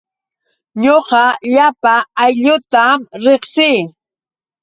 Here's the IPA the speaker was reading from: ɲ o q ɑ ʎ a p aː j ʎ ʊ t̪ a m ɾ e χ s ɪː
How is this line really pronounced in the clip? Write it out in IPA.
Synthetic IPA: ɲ o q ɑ ʎ a p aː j ʎ ʊ t̪ a m ɾ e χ s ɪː